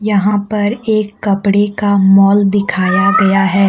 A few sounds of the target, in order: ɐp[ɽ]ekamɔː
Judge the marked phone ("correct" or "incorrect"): correct